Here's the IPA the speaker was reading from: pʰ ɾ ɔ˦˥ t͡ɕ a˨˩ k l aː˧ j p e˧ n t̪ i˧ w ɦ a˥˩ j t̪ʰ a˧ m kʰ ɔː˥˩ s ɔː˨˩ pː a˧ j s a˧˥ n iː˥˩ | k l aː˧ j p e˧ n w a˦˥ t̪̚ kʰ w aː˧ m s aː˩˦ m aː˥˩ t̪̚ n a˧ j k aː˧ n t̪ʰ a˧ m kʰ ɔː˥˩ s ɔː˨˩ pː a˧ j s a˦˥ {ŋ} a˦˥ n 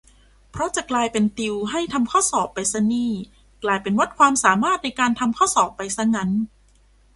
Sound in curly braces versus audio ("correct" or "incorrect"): correct